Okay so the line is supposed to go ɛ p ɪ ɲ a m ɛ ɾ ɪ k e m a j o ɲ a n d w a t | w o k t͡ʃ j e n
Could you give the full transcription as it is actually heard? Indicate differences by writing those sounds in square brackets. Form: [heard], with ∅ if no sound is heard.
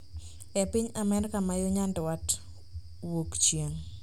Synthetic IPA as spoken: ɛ p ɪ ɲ a m ɛ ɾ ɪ k [a] m a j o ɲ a n d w a t | w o k t͡ʃ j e [ŋ]